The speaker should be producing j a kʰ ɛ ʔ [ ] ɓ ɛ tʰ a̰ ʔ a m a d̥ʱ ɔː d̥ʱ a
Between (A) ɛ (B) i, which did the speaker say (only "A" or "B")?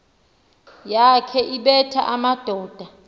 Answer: B